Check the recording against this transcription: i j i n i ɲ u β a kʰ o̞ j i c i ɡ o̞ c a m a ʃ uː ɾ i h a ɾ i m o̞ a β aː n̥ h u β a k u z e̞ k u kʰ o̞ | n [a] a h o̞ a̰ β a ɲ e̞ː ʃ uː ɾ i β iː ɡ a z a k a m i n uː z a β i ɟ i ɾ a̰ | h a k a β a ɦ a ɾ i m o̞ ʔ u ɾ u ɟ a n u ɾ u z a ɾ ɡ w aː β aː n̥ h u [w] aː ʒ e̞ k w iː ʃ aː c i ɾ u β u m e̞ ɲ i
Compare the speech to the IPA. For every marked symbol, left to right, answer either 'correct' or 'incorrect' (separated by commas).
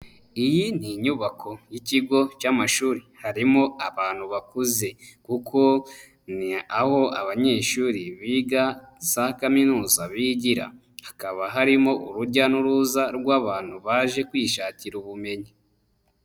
incorrect, incorrect